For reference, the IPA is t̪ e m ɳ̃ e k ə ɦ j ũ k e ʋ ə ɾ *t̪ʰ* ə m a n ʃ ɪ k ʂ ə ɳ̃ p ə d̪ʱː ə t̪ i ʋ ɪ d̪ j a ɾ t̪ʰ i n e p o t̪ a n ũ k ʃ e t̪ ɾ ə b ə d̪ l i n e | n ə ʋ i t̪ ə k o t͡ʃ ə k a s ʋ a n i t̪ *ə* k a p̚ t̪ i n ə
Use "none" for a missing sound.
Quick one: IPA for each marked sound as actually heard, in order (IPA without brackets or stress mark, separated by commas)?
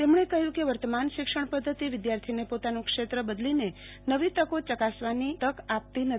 t̪, ə